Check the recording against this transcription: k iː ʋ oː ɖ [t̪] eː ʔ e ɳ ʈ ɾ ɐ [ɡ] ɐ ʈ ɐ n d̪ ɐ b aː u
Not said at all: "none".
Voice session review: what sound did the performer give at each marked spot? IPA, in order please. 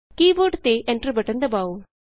t̪, b

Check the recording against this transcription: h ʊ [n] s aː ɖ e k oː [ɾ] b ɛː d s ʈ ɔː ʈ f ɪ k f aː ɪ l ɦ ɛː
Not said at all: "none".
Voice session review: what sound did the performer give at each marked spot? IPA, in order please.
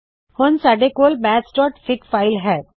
n, l

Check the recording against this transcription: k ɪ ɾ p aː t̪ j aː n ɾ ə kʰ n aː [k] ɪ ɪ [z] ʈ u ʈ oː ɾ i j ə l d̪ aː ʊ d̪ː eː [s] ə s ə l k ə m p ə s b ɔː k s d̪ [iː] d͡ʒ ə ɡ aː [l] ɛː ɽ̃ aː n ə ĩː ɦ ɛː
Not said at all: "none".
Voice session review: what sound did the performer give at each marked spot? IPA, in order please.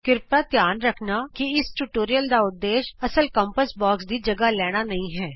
k, s, ʃ, iː, l

